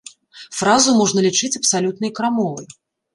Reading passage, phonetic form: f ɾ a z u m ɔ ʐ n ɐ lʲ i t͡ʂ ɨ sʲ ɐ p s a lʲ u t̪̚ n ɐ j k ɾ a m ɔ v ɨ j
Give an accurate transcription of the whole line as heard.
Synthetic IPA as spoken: f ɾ a z u m ɔ ʐ n ɐ lʲ i t͡ʂ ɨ t͡sʲ ɐ p s a lʲ u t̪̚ n ɐ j k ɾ a m ɔ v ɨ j